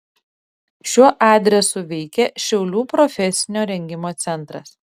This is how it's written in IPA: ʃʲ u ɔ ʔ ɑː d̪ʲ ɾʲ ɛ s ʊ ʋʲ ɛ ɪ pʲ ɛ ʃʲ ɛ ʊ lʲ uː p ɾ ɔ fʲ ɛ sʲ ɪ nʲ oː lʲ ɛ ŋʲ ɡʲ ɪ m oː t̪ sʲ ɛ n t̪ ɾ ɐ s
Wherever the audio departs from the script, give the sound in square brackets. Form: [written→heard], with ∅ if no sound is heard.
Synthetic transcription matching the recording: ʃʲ u ɔ ʔ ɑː d̪ʲ ɾʲ ɛ s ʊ ʋʲ ɛ ɪ [pʲ→kʲ] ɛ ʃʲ ɛ ʊ lʲ uː p ɾ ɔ fʲ ɛ sʲ ɪ nʲ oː [lʲ→ɾʲ] ɛ ŋʲ ɡʲ ɪ m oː t̪ sʲ ɛ n t̪ ɾ ɐ s